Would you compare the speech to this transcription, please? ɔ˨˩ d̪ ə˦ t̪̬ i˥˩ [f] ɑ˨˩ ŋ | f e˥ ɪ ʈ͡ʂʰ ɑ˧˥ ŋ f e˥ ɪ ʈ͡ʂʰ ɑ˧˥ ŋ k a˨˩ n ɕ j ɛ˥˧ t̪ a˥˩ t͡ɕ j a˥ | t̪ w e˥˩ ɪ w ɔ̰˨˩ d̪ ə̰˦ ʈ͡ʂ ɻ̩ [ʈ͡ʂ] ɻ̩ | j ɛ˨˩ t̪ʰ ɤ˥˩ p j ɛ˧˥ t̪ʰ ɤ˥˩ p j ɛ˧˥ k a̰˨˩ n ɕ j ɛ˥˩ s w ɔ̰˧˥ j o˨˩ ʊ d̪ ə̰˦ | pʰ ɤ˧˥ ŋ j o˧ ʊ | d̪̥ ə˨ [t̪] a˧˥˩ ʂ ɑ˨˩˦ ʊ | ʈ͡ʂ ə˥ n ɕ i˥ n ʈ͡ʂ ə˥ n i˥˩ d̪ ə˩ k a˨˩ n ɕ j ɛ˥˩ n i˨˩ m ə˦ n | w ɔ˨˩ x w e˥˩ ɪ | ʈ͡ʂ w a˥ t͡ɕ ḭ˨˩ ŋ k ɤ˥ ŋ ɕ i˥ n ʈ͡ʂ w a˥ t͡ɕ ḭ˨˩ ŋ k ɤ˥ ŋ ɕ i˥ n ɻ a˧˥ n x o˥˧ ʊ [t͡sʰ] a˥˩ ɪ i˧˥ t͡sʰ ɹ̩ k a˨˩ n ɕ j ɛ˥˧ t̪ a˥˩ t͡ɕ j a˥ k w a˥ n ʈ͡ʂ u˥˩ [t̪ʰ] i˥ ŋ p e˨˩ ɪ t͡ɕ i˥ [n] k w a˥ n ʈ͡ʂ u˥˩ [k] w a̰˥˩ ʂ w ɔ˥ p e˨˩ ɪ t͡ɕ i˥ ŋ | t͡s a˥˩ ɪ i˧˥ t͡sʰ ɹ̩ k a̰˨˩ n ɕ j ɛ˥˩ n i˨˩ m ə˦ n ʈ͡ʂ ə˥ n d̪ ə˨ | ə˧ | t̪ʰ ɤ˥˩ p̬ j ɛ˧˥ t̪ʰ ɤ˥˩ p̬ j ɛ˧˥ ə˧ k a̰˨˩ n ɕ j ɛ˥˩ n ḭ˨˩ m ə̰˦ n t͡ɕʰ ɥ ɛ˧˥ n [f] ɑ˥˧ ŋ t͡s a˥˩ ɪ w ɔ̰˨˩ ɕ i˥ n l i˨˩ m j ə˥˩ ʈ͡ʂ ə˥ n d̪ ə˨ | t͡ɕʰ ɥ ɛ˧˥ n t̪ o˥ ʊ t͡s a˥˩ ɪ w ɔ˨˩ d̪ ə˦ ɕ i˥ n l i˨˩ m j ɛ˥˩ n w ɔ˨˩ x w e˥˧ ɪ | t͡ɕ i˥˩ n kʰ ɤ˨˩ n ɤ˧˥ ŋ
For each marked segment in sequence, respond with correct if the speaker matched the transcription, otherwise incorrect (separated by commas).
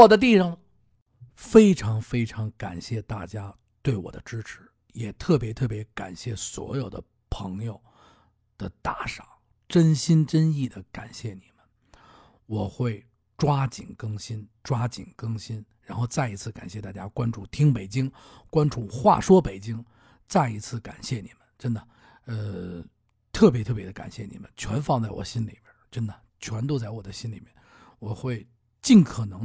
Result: incorrect, incorrect, correct, incorrect, correct, incorrect, incorrect, correct